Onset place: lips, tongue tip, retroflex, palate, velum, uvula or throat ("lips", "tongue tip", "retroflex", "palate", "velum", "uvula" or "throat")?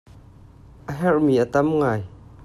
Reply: throat